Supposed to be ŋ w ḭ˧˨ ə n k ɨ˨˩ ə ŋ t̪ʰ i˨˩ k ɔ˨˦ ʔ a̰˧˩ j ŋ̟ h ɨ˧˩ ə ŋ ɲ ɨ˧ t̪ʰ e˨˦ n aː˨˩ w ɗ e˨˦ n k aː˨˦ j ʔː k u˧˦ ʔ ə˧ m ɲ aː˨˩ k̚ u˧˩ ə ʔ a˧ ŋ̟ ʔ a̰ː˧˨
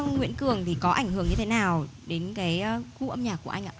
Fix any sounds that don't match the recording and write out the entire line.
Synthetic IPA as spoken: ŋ w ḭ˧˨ ə n k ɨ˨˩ ə ŋ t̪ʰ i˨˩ k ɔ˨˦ ʔ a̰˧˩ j ŋ̟ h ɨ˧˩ ə ŋ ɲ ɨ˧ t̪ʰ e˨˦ n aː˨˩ w ɗ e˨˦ n k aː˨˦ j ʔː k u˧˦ ʔ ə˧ m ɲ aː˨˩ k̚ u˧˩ ə ʔ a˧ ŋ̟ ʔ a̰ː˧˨